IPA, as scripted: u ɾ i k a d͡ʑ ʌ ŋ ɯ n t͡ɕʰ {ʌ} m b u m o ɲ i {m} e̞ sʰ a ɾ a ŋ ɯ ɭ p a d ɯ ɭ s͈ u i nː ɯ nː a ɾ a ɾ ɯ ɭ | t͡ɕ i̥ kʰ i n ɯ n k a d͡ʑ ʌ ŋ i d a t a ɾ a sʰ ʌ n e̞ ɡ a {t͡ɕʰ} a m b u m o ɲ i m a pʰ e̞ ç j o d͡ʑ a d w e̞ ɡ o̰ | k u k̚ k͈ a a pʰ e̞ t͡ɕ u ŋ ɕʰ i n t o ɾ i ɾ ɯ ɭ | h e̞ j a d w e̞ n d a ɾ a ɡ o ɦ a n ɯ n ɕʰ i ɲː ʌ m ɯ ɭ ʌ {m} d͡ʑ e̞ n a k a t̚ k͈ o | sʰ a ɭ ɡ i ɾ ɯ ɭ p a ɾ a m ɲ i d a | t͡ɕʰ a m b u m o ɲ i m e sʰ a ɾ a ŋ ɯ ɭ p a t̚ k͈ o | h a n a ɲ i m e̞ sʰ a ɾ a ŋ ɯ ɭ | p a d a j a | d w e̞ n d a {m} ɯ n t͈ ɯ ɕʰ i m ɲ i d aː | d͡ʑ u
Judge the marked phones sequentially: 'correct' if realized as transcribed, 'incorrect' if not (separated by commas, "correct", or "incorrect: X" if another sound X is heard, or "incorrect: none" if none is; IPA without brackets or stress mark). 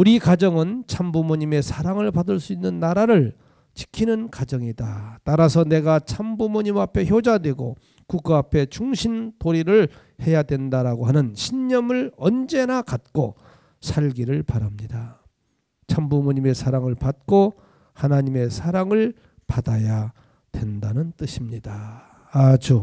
incorrect: a, correct, correct, incorrect: n, incorrect: n